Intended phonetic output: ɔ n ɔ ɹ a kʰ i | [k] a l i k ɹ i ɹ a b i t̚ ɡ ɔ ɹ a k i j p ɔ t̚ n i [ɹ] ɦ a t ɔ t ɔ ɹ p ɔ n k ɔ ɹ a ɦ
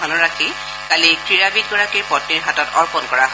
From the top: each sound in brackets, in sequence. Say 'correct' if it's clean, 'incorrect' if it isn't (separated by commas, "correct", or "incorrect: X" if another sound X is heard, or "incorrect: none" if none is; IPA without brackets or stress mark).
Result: correct, correct